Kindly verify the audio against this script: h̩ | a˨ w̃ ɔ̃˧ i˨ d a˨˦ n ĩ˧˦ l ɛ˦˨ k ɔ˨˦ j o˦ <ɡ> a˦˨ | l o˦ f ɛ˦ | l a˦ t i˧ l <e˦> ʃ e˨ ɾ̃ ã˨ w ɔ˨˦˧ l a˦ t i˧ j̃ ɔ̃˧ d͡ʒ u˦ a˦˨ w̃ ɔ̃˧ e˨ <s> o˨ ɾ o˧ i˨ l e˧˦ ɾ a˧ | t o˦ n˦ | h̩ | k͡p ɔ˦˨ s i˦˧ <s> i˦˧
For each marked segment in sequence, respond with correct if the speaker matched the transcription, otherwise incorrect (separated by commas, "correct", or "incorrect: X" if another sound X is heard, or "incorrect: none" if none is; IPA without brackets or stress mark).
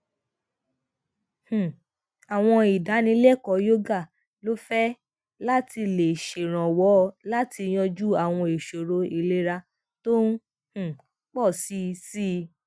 correct, incorrect: e˨, incorrect: ʃ, correct